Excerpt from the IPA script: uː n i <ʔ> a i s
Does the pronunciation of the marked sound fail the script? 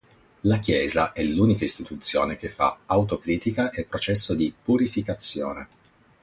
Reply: yes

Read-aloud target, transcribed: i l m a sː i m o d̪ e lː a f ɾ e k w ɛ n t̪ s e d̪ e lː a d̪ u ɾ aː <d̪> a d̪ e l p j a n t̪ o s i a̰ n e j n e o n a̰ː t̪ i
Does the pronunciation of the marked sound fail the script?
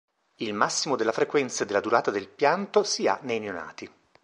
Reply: yes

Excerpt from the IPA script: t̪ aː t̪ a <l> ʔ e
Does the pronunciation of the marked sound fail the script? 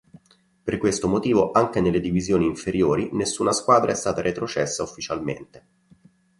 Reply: yes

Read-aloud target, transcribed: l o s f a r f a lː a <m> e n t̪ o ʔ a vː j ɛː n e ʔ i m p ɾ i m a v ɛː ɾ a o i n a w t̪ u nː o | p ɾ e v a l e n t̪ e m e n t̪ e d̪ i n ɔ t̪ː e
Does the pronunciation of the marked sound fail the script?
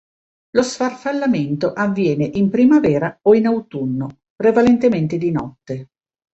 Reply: no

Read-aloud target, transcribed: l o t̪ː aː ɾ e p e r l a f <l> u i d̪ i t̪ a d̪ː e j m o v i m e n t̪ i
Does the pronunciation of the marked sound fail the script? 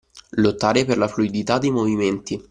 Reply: no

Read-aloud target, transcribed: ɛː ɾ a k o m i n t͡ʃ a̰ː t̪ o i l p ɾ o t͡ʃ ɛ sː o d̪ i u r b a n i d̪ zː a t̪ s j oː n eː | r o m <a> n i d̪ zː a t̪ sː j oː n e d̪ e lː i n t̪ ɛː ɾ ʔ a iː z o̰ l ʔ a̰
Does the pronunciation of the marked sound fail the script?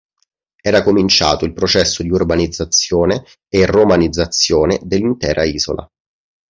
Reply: no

